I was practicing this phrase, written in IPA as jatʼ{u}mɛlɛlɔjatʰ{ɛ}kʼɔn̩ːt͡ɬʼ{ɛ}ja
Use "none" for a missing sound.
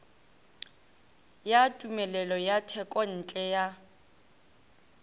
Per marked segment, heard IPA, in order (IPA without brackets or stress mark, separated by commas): u, ɛ, ɛ